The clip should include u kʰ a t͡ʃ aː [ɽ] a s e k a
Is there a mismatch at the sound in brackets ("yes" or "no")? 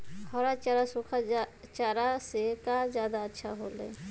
yes